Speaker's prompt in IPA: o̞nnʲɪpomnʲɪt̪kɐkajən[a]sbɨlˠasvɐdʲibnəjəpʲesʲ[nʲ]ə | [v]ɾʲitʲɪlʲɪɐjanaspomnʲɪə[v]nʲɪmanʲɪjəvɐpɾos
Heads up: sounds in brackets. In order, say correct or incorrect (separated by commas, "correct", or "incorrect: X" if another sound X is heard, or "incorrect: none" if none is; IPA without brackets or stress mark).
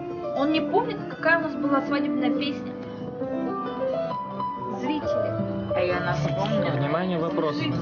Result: correct, correct, incorrect: z, correct